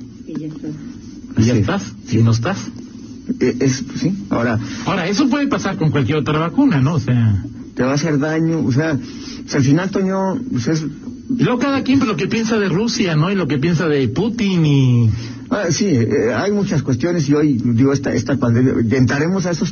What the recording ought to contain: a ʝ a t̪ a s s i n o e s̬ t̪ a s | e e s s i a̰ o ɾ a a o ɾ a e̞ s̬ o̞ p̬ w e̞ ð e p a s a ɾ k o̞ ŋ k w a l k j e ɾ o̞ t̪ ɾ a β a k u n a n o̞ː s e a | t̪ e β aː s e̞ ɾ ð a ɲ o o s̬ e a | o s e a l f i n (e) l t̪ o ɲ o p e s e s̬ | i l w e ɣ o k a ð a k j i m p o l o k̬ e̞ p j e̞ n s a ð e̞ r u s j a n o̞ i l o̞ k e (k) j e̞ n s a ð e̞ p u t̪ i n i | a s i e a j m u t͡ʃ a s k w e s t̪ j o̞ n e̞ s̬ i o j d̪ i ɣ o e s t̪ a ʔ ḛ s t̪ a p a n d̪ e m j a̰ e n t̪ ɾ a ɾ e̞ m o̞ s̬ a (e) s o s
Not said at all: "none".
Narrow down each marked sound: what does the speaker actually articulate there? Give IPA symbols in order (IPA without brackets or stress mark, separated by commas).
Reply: a, p, e